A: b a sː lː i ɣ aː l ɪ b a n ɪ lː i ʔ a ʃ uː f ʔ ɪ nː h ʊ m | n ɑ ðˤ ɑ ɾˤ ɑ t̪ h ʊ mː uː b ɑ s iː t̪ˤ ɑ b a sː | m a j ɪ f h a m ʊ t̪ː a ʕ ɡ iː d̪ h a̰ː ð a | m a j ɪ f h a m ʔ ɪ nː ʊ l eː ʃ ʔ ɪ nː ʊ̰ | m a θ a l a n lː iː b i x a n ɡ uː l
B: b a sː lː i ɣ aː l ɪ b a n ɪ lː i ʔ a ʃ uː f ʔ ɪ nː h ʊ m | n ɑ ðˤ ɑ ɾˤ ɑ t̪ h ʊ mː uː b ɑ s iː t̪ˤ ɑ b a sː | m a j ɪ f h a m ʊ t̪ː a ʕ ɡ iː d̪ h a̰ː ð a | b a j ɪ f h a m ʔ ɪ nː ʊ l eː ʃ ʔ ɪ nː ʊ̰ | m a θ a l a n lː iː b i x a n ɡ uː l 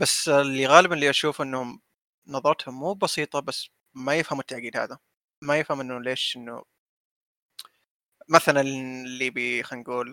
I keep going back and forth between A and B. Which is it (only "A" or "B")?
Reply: A